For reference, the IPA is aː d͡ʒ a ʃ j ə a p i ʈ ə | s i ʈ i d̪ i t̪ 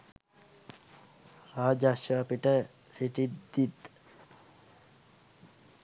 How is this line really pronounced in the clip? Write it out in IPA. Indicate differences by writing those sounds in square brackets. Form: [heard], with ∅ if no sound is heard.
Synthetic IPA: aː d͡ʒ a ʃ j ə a p i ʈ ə | s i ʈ i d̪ i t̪